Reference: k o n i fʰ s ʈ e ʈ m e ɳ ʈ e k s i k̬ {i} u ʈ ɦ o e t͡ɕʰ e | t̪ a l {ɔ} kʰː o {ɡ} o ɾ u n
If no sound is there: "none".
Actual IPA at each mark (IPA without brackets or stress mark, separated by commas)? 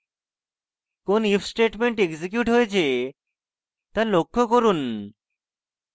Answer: j, o, k